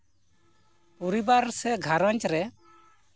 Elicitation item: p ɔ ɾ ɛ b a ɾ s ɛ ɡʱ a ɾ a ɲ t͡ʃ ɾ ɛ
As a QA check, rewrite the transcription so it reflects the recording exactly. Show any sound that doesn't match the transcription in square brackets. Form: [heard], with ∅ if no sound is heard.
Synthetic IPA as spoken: p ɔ ɾ [i] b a ɾ s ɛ ɡʱ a ɾ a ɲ t͡ʃ ɾ ɛ